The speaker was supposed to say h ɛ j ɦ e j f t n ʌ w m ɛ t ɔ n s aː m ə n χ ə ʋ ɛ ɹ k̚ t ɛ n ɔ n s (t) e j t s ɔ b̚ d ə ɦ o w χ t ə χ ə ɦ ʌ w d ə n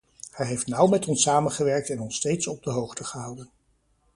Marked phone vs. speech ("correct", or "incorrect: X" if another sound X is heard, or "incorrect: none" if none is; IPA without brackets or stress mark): correct